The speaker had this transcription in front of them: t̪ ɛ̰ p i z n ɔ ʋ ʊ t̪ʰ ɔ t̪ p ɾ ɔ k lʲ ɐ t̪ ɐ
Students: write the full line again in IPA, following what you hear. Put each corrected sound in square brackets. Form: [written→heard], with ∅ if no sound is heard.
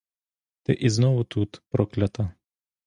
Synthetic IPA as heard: t̪ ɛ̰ [p→ʔ] i z n ɔ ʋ ʊ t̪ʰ [ɔ→u] t̪ p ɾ ɔ k lʲ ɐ t̪ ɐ